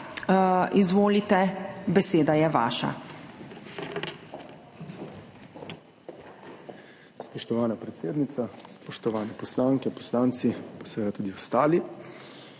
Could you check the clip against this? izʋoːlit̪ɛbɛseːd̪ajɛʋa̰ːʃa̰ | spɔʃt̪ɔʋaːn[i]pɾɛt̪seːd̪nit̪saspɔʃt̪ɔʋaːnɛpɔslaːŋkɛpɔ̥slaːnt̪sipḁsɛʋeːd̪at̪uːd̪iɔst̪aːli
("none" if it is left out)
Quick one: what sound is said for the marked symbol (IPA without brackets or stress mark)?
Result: a